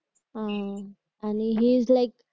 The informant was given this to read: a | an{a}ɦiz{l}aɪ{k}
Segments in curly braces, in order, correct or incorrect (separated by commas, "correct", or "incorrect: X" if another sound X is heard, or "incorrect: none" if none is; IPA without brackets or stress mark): incorrect: i, correct, correct